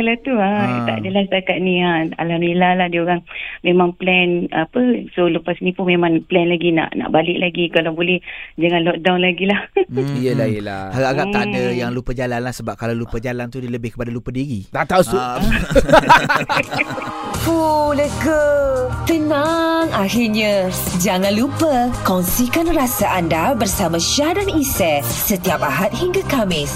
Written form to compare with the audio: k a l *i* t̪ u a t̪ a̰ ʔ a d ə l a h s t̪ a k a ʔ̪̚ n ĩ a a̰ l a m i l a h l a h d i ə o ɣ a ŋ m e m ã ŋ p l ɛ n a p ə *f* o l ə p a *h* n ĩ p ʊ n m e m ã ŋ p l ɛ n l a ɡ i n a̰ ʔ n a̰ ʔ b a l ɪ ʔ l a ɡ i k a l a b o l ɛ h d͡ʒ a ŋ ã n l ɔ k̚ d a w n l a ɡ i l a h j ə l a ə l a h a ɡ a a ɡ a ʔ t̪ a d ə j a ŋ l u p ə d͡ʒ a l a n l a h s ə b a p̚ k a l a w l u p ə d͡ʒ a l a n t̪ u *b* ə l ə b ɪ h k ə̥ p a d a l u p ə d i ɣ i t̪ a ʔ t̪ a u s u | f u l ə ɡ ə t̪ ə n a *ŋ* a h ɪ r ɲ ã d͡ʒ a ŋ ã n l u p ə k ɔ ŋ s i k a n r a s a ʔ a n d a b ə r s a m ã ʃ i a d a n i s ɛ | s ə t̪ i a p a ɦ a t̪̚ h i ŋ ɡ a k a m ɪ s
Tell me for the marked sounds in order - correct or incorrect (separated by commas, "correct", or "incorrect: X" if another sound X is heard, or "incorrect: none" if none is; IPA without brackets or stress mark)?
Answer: incorrect: a, incorrect: s, incorrect: s, incorrect: d, correct